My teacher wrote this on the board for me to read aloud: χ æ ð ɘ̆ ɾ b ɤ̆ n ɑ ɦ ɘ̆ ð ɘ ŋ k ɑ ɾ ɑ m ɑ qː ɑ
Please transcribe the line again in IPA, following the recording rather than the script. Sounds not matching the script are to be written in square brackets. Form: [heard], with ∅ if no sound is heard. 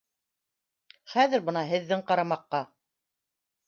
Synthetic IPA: χ æ ð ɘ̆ ɾ b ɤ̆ n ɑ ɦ ɘ̆ [ðː] ɘ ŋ [q] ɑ ɾ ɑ m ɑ qː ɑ